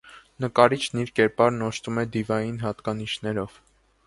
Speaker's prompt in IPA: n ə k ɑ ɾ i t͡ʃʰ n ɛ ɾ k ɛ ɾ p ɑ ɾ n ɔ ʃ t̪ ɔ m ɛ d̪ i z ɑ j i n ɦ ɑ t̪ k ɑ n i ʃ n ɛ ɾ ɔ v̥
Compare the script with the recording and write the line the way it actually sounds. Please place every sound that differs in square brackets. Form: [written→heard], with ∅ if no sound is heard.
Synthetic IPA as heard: n ə k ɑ ɾ i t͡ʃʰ n [ɛ→i] ɾ k ɛ ɾ p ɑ ɾ n ɔ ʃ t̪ [ɔ→u] m ɛ d̪ i [z→v] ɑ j i n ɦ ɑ t̪ k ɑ n i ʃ n ɛ ɾ ɔ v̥

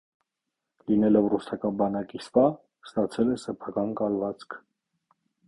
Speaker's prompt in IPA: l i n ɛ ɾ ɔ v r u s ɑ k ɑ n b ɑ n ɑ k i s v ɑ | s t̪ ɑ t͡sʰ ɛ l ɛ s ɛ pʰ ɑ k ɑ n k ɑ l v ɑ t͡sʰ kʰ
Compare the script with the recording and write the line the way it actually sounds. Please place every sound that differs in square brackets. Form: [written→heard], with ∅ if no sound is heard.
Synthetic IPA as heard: l i n ɛ [ɾ→l] ɔ v r u s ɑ k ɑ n b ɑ n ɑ k i s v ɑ | s t̪ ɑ t͡sʰ ɛ l ɛ s ɛ pʰ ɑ k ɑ n k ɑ l v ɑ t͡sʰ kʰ

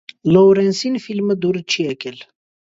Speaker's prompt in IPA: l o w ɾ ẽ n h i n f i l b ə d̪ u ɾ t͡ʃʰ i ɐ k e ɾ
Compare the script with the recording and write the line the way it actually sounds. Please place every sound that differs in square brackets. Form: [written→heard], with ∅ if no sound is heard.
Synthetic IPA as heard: l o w ɾ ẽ n [h→s] i n f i l [b→m] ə d̪ u ɾ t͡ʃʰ i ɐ k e [ɾ→l]

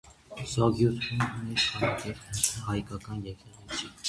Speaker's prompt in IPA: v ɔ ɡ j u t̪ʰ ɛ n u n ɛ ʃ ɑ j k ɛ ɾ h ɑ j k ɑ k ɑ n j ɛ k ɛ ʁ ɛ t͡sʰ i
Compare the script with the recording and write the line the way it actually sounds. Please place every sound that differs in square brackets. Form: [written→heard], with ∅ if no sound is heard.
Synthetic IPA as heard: [v→z] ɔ ɡ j u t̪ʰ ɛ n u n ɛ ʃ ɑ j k ɛ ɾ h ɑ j k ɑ k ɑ n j ɛ k ɛ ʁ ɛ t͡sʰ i

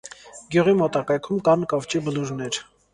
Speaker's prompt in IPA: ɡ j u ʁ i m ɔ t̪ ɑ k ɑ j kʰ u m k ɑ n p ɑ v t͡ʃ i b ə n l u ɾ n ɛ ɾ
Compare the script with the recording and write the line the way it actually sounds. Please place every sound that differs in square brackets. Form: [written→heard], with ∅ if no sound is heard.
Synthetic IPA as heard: ɡ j u ʁ i m ɔ t̪ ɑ k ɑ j kʰ u m k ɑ n [p→k] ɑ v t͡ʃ i b ə [n→∅] l u ɾ n ɛ ɾ

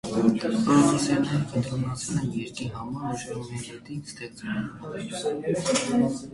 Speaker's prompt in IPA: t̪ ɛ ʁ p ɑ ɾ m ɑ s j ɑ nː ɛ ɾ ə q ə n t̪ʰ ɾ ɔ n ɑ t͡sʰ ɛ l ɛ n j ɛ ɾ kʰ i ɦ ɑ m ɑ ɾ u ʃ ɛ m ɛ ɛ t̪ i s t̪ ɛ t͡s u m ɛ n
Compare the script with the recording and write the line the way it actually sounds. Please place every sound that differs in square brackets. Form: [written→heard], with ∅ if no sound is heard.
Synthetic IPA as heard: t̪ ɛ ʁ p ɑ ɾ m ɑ s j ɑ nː ɛ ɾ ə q ə n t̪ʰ ɾ ɔ n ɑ t͡sʰ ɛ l ɛ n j ɛ ɾ [kʰ→k] i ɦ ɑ m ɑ ɾ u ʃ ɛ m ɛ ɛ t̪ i s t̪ ɛ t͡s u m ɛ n

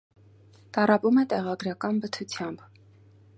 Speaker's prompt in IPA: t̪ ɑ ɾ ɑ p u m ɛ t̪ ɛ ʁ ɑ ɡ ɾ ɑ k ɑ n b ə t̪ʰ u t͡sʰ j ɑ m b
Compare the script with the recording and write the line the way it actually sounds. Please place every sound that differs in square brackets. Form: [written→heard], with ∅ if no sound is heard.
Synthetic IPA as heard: t̪ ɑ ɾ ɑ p u m ɛ t̪ ɛ ʁ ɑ ɡ ɾ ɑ k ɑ n b ə t̪ʰ u t͡sʰ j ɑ m b

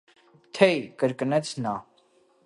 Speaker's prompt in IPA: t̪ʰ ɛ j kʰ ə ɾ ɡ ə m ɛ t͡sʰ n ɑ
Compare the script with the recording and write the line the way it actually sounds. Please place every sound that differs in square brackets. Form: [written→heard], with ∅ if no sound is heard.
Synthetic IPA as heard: t̪ʰ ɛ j [kʰ→k] ə ɾ [ɡ→k] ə [m→n] ɛ t͡sʰ n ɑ

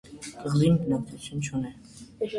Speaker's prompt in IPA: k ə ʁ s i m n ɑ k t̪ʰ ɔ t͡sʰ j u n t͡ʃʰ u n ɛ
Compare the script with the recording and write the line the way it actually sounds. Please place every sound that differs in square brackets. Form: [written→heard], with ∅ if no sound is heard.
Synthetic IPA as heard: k ə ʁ [s→z] i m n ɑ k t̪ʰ [ɔ→u] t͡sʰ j u n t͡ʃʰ u n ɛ

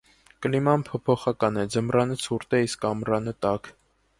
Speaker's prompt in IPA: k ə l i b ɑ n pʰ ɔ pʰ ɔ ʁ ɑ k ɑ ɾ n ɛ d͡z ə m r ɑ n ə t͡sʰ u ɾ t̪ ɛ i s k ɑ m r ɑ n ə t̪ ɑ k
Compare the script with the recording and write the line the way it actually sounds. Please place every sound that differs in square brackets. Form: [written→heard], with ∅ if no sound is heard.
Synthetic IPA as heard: k ə l i [b→m] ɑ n pʰ ɔ pʰ ɔ [ʁ→χ] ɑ k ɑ [ɾ→∅] n ɛ d͡z ə m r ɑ n ə t͡sʰ u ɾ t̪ ɛ i s k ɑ m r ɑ n ə t̪ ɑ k

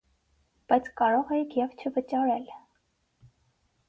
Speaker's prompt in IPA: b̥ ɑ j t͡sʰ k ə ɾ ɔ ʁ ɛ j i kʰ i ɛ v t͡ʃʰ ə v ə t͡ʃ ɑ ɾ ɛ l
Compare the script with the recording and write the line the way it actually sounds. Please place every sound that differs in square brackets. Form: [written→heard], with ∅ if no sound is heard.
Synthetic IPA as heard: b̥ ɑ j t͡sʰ k [ə→ɑ] ɾ ɔ ʁ ɛ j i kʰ [i→j] ɛ v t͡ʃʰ ə v ə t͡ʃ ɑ ɾ ɛ l

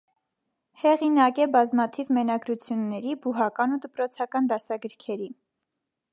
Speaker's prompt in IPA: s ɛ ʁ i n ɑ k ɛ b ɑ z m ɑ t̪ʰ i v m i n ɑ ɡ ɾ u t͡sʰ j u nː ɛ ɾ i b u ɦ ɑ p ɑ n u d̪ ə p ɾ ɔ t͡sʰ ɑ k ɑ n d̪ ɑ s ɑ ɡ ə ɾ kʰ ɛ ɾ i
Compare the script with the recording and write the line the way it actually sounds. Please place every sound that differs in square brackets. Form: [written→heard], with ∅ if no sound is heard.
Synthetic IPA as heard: [s→h] ɛ ʁ i n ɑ k ɛ b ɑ z m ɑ t̪ʰ i v m [i→ɛ] n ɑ ɡ ɾ u t͡sʰ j u nː ɛ ɾ i b u ɦ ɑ [p→k] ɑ n u d̪ ə p ɾ ɔ t͡sʰ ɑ k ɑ n d̪ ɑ s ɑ ɡ ə ɾ kʰ ɛ ɾ i

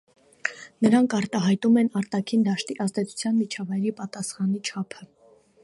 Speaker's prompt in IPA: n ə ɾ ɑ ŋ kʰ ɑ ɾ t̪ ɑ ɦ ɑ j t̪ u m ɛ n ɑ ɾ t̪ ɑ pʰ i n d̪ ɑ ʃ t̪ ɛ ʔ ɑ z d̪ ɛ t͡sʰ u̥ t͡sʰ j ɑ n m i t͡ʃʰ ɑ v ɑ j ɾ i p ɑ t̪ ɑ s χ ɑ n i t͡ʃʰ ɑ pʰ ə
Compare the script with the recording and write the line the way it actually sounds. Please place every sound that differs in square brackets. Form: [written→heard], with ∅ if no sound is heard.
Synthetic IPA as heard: n ə ɾ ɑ ŋ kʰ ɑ ɾ t̪ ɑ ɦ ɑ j t̪ u m ɛ n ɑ ɾ t̪ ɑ [pʰ→kʰ] i n d̪ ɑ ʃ t̪ [ɛ→i] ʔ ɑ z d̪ ɛ t͡sʰ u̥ t͡sʰ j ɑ n m i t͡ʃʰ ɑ v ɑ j ɾ i p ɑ t̪ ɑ s χ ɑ n i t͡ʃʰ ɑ pʰ ə

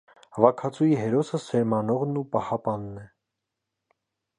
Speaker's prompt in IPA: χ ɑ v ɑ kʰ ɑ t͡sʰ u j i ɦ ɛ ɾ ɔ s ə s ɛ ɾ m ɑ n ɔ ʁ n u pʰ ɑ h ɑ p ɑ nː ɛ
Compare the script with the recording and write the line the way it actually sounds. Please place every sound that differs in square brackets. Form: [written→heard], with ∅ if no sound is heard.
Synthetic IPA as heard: [χ→h] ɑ v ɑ kʰ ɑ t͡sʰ u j i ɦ ɛ ɾ ɔ s ə s ɛ ɾ m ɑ n ɔ ʁ n u [pʰ→p] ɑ h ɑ p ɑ nː ɛ

